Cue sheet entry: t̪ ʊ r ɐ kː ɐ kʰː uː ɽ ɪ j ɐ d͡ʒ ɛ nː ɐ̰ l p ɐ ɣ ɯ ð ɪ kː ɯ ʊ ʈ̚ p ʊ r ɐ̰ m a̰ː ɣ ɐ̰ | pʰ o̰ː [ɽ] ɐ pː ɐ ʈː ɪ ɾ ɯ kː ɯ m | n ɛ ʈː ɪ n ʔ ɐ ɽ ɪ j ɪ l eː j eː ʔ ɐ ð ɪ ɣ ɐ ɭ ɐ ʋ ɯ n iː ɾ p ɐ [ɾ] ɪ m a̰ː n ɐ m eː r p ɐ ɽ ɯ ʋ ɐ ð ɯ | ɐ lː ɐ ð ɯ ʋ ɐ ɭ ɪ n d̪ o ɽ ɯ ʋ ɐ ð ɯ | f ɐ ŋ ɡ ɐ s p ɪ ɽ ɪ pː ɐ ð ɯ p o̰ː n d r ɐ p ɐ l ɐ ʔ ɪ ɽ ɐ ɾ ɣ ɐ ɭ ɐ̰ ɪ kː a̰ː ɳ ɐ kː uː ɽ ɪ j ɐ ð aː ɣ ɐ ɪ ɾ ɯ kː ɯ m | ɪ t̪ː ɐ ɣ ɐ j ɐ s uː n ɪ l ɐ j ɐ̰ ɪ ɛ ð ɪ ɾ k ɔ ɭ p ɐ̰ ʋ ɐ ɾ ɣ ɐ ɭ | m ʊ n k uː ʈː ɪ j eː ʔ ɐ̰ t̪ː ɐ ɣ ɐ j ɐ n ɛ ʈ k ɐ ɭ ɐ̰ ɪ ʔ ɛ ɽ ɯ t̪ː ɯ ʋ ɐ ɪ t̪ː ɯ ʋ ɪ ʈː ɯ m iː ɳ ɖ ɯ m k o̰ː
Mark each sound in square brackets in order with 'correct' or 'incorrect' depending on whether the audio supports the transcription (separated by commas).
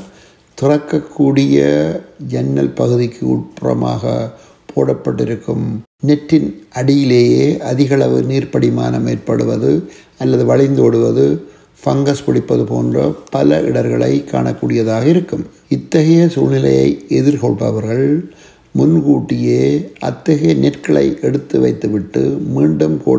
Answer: correct, incorrect